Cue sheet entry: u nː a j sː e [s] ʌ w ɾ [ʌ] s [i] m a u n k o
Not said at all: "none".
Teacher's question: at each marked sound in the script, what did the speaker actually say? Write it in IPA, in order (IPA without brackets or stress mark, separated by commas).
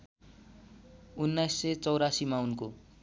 t͡s, a, i